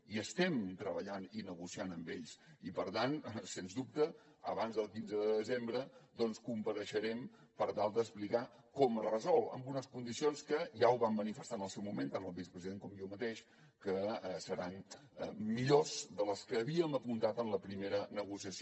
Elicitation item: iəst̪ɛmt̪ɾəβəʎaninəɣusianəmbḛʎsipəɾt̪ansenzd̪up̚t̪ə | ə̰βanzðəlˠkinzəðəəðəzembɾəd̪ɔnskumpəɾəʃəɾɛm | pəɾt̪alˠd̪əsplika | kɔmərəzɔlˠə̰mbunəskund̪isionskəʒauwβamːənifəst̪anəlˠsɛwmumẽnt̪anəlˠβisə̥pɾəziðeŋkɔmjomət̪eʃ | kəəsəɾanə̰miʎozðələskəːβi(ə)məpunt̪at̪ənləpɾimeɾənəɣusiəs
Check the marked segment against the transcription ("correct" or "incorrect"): correct